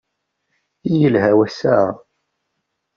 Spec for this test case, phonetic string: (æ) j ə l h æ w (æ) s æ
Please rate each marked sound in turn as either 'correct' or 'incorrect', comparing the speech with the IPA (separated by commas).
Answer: incorrect, correct